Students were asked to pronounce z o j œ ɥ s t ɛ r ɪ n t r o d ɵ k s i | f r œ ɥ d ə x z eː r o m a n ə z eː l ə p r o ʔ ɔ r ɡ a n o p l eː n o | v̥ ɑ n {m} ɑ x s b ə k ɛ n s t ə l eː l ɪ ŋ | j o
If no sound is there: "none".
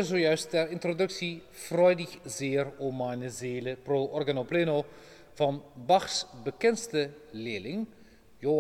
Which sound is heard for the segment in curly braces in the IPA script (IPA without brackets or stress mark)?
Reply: b